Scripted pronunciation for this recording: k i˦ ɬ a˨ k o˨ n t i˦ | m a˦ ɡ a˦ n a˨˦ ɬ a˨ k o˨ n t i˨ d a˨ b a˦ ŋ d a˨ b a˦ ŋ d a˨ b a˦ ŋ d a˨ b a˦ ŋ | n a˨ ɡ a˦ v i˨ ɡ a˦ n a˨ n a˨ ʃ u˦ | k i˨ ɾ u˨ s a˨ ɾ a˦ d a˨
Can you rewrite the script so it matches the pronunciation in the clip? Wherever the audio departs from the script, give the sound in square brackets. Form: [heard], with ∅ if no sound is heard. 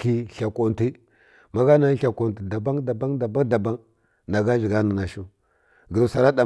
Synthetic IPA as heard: k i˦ ɬ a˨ k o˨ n t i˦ | m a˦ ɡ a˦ n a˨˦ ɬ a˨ k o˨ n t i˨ d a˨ b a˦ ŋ d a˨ b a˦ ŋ d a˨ b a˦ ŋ d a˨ b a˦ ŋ | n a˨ ɡ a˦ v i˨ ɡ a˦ n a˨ n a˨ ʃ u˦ | [ɡ] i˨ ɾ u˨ s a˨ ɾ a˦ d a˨